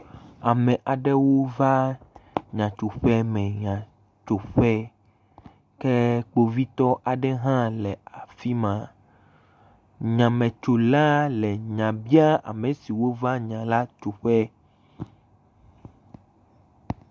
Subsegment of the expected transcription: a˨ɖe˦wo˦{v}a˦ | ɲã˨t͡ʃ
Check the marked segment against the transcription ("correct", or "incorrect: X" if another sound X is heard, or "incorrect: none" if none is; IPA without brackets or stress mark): correct